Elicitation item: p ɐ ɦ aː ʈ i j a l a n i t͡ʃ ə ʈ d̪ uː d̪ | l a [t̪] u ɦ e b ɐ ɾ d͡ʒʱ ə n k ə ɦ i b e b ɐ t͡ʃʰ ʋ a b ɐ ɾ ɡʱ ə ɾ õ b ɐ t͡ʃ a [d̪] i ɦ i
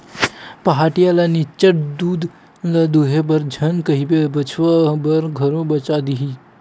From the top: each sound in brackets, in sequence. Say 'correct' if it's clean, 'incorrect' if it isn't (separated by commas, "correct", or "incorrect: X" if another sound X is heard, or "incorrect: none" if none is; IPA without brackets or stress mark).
incorrect: d̪, correct